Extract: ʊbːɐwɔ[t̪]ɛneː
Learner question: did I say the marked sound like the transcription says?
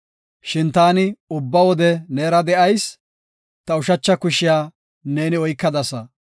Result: no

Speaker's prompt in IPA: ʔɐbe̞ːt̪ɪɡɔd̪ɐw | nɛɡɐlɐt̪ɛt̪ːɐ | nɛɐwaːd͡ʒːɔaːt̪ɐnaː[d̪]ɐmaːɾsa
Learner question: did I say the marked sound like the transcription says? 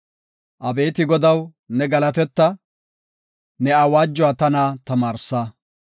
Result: no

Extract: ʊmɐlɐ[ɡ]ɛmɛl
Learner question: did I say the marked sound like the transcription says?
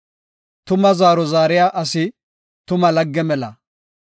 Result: no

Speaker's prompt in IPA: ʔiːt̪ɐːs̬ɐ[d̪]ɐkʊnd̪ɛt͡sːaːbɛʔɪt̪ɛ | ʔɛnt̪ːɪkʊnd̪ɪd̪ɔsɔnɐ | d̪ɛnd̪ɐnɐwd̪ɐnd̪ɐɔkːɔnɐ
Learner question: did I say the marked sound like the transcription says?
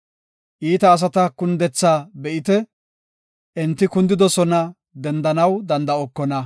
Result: no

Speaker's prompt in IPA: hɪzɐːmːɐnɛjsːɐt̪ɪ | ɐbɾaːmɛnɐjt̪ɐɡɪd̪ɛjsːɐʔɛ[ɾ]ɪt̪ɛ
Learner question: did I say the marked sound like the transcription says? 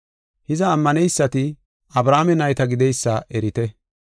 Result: yes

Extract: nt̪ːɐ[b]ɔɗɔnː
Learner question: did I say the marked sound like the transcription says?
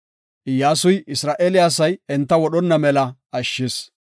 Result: no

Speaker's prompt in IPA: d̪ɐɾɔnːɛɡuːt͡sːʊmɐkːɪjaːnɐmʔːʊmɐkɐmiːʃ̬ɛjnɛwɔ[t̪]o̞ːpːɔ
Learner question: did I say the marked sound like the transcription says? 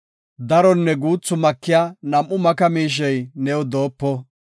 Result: no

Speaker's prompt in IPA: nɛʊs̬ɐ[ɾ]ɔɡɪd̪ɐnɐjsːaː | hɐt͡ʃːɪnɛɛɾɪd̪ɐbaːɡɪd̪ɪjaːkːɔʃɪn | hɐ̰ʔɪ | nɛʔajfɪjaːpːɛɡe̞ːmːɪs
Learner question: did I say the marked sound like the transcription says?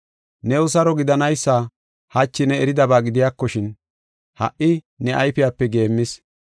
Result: yes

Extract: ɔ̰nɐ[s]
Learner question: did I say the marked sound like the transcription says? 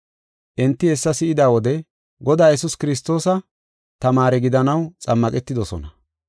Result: no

